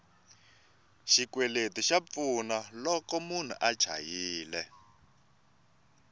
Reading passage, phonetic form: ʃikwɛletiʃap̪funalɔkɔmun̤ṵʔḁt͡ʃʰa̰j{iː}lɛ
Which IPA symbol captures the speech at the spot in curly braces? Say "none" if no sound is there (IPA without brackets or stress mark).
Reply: iː